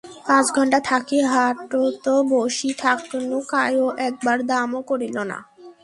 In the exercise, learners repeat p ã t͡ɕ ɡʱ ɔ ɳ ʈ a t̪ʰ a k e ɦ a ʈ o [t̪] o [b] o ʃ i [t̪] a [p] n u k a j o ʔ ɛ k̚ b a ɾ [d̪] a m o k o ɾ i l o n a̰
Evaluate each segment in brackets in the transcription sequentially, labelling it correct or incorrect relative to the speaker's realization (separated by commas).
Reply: correct, correct, incorrect, incorrect, correct